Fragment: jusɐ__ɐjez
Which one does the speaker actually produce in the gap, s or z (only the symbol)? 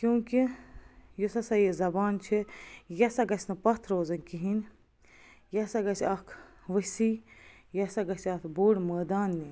s